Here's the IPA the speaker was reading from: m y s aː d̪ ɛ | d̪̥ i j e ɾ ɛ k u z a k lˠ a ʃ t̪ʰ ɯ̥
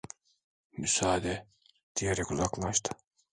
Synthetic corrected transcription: m y s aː d̪ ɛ | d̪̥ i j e ɾ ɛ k u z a k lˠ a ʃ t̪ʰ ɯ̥